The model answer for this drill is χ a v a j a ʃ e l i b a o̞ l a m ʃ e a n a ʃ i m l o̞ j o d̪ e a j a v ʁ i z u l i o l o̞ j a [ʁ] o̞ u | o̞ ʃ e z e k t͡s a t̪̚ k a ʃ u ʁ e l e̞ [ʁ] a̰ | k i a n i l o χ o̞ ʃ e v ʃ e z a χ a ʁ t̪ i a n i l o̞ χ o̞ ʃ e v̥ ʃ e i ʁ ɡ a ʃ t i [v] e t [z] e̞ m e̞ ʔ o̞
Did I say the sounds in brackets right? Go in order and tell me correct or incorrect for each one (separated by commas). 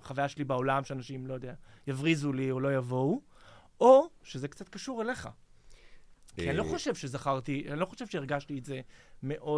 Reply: incorrect, incorrect, incorrect, correct